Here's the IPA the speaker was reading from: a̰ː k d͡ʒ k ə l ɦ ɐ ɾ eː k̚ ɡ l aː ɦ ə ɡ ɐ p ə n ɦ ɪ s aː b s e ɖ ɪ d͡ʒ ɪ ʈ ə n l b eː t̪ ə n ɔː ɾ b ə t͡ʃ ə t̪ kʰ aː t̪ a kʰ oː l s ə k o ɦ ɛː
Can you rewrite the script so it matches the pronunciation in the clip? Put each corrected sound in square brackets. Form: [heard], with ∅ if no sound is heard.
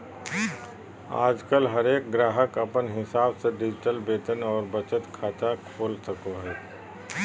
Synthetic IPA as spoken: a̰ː [∅] d͡ʒ k ə l ɦ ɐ ɾ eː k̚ ɡ [ɾ] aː ɦ ə [k] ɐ p ə n ɦ ɪ s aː b s e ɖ ɪ d͡ʒ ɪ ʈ ə [∅] l b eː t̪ ə n ɔː ɾ b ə t͡ʃ ə t̪ kʰ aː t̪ a kʰ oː l s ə k o ɦ ɛː

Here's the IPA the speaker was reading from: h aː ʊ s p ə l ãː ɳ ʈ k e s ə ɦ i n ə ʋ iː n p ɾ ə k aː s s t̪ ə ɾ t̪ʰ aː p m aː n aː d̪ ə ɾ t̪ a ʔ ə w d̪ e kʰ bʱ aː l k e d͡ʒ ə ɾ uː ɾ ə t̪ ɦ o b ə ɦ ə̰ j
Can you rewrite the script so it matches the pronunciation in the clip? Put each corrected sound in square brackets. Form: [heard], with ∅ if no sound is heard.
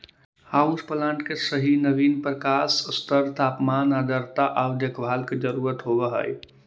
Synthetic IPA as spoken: h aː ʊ s p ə l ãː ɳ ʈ k e s ə ɦ i n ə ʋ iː n p ɾ ə k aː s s t̪ ə ɾ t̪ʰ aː p m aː n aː d̪ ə ɾ t̪ a ʔ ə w d̪ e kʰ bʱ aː l k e d͡ʒ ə ɾ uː ɾ ə t̪ ɦ o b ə ɦ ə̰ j

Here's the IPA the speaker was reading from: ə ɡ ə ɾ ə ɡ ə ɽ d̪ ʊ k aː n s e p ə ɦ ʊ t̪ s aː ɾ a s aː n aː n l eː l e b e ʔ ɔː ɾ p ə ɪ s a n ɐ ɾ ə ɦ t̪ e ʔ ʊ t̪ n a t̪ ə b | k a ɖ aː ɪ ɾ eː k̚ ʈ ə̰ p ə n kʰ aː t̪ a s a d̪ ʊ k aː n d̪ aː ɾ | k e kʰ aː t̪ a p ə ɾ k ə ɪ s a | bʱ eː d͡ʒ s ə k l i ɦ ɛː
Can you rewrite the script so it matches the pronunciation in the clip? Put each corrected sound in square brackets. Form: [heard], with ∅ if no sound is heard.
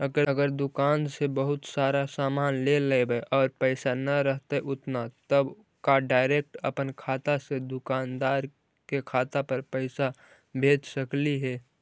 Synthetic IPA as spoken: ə ɡ ə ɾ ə ɡ ə [ɾ] d̪ ʊ k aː n s e [b] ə ɦ ʊ t̪ s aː ɾ a s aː [m] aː n l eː l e b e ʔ ɔː ɾ p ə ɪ s a n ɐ ɾ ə ɦ t̪ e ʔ ʊ t̪ n a t̪ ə b | k a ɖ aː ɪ ɾ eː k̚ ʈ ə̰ p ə n kʰ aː t̪ a s [e] d̪ ʊ k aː n d̪ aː ɾ | k e kʰ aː t̪ a p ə ɾ [p] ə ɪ s a | bʱ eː d͡ʒ s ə k l i ɦ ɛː

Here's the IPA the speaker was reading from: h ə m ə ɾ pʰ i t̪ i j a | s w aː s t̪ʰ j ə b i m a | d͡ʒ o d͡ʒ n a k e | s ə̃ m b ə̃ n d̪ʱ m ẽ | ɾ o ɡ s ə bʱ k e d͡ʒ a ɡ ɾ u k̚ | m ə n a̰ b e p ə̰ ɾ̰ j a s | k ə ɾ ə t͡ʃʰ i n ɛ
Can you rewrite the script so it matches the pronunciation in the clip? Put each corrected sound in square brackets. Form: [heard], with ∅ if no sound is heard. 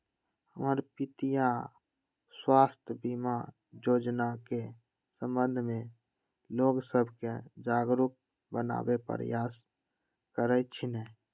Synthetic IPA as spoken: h ə m ə ɾ [p] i t̪ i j a | s w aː s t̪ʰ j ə b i m a | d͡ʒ o d͡ʒ n a k e | s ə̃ m b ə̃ n d̪ʱ m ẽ | [l] o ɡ s ə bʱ k e d͡ʒ a ɡ ɾ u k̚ | [b] ə n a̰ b e p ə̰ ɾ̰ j a s | k ə ɾ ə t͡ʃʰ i n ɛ

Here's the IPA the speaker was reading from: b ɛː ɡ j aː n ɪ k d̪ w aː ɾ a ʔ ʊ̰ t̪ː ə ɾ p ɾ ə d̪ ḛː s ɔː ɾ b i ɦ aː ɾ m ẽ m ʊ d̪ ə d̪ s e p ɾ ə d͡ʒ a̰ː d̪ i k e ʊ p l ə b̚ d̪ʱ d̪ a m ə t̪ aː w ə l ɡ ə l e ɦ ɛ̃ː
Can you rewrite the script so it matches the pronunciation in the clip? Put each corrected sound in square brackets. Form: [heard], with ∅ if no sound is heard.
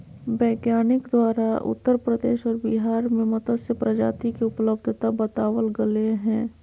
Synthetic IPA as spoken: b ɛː ɡ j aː n ɪ k d̪ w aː ɾ a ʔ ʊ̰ t̪ː ə ɾ p ɾ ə d̪ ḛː [ʃ] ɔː ɾ b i ɦ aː ɾ m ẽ m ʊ [t̪] ə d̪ s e p ɾ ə d͡ʒ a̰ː [t̪] i k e ʊ p l ə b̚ d̪ʱ [t̪] a [b] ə t̪ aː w ə l ɡ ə l e ɦ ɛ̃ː

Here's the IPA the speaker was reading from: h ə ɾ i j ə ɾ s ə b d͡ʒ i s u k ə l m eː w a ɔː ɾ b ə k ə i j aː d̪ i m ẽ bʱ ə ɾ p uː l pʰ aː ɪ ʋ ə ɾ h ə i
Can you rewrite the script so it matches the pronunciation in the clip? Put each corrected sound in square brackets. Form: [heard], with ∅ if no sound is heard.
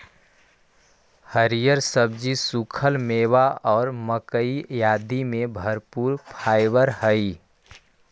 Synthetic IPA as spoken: h ə ɾ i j ə ɾ s ə b d͡ʒ i s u [kʰ] ə l m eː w a ɔː ɾ [m] ə k ə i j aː d̪ i m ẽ bʱ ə ɾ p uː [ɾ] pʰ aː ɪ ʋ ə ɾ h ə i

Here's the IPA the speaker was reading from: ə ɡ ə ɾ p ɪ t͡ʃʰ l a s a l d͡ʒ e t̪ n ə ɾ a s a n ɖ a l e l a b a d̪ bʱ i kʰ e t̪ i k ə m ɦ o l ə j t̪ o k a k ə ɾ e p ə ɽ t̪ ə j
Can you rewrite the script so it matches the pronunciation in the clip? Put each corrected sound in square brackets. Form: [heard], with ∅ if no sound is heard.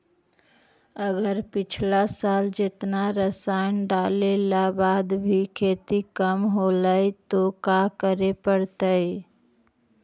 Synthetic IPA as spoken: ə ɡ ə ɾ p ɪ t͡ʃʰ l a s a l d͡ʒ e t̪ n [a] ɾ [ə] s a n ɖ a l e l a b a d̪ bʱ i kʰ e t̪ i k ə m ɦ o l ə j t̪ o k a k ə ɾ e p ə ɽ t̪ ə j

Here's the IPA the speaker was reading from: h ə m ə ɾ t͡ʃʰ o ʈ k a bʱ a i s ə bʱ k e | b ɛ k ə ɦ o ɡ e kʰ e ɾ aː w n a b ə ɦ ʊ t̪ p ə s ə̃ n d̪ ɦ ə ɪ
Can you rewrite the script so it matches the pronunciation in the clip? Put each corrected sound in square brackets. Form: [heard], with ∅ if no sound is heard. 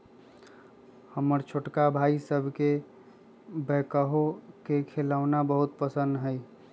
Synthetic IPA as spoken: h ə m ə ɾ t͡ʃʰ o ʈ k a bʱ a i s ə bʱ k e | b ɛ k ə ɦ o [k] e kʰ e [l] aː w n a b ə ɦ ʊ t̪ p ə s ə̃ n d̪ ɦ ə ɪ

